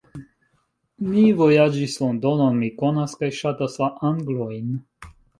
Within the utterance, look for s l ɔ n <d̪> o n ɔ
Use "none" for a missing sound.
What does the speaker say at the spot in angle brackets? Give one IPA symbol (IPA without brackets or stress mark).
d̪